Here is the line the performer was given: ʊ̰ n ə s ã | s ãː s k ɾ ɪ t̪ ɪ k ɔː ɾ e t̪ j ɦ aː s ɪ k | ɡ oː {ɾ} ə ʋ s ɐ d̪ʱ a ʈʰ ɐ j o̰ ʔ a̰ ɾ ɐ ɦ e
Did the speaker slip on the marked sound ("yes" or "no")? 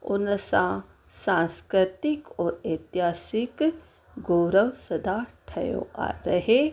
no